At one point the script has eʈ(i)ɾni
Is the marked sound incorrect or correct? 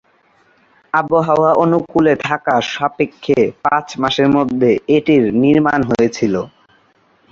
correct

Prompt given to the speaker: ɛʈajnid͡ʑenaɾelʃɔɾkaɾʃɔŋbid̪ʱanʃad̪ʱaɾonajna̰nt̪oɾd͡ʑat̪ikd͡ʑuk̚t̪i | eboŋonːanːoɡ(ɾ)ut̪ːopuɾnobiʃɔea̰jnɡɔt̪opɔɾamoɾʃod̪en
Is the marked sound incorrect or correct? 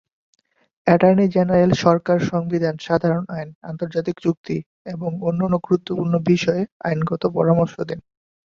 correct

